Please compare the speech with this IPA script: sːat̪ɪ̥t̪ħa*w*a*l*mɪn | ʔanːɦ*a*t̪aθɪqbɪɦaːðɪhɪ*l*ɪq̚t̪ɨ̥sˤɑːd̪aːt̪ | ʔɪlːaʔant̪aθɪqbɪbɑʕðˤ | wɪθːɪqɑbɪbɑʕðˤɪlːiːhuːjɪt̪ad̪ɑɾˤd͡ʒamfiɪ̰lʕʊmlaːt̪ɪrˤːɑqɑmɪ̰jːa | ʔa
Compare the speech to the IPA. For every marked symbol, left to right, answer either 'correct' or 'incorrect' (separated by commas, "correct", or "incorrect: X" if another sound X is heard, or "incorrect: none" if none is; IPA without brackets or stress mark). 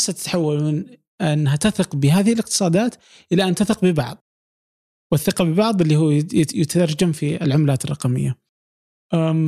incorrect: wː, correct, correct, correct